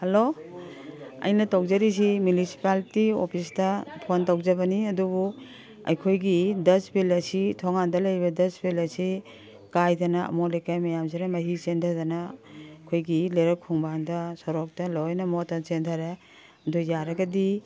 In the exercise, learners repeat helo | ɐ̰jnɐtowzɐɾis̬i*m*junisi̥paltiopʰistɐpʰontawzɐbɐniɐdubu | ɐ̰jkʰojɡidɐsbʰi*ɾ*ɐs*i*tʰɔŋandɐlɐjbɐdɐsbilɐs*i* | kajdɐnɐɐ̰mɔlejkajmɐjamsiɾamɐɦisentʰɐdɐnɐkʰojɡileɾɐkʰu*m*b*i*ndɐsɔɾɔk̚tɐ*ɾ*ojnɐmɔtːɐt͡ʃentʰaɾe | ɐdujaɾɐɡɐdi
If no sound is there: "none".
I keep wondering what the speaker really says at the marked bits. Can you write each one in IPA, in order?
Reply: m, l, i, i, ŋ, a, l

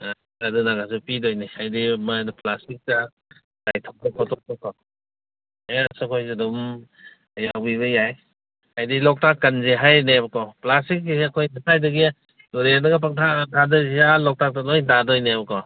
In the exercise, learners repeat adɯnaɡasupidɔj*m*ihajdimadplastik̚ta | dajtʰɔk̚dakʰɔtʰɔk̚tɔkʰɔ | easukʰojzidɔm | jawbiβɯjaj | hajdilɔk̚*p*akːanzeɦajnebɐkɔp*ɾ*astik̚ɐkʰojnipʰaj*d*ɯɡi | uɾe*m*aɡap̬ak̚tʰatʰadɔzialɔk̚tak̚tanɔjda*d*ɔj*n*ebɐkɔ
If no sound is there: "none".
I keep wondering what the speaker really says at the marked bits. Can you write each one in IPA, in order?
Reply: n, t, l, d, n, d, n

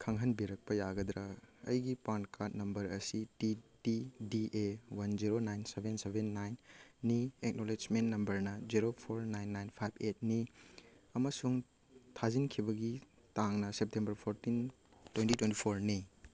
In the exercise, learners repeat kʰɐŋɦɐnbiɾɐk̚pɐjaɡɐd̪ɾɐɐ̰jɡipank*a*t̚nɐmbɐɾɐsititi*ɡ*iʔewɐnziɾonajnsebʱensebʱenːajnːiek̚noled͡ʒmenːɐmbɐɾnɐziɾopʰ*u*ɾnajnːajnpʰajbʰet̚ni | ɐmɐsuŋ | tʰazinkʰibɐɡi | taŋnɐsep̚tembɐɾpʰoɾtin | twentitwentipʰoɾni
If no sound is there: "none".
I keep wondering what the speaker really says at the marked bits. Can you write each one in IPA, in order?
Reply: a, d, o

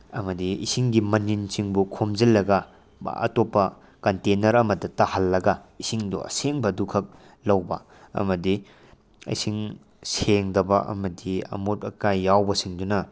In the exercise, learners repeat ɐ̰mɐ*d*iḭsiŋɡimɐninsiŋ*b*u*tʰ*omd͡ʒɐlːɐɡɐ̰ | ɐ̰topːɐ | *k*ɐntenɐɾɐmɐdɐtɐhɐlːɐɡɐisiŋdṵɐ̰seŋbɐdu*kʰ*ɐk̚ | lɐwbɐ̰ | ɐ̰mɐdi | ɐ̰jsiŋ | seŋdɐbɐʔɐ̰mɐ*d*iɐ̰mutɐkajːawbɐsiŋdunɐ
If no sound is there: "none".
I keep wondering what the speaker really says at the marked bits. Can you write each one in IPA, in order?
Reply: d, b, kʰ, k, kʰ, d

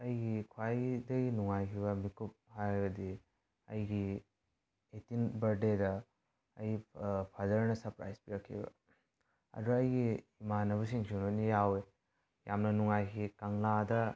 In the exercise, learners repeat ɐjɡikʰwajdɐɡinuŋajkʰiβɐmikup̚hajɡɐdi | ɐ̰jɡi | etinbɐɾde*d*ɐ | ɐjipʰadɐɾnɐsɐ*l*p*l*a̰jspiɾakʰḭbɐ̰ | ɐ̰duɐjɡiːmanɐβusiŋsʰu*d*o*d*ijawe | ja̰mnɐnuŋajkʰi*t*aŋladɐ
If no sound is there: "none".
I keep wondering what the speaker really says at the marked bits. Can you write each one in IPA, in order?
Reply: d, ɾ, ɾ, n, n, k

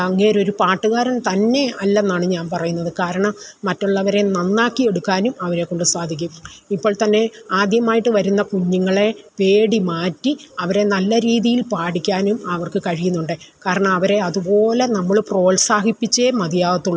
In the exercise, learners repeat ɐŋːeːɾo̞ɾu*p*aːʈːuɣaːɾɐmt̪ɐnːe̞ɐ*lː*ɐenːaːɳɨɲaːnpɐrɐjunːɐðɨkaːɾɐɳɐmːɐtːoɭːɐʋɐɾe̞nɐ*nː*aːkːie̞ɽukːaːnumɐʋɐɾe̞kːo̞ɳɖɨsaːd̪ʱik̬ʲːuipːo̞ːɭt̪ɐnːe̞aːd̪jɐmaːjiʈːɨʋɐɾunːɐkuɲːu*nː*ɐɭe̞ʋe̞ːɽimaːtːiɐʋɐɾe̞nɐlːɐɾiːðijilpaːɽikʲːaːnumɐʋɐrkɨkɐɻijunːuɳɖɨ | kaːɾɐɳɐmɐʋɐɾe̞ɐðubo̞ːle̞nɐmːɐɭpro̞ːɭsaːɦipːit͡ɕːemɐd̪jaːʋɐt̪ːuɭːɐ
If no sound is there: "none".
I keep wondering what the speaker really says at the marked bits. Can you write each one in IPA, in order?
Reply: p, lː, nː, ŋː

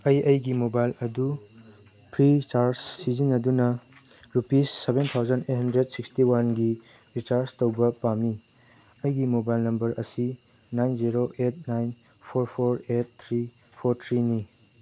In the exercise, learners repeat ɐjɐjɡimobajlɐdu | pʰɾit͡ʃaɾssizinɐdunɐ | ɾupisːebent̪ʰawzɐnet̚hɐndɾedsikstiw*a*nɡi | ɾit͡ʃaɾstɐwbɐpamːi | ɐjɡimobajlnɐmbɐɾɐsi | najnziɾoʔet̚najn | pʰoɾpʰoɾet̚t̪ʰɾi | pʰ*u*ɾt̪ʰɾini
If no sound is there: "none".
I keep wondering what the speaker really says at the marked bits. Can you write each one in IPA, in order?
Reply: a, o

